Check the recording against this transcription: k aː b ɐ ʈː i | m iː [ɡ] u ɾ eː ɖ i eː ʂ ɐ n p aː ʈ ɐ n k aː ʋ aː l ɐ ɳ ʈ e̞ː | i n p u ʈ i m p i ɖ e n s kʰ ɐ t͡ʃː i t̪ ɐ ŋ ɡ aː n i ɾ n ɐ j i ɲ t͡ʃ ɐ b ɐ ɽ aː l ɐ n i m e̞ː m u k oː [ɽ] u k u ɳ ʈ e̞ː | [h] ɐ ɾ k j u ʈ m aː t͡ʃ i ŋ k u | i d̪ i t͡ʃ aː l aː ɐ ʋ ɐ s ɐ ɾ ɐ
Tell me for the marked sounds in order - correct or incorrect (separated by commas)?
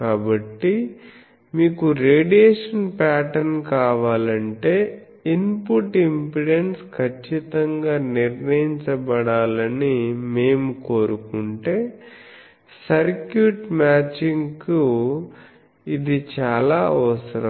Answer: incorrect, incorrect, incorrect